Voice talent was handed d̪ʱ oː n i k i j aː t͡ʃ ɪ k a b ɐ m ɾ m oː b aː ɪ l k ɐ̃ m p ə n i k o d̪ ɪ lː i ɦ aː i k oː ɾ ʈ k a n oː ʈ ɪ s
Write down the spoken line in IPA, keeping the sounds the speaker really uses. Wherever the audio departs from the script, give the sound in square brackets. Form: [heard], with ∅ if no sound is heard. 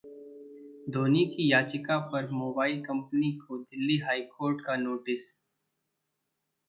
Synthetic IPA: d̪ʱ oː n i k i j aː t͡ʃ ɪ k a [p] ɐ [∅] ɾ m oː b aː ɪ l k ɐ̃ m p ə n i k o d̪ ɪ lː i ɦ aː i k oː ɾ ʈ k a n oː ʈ ɪ s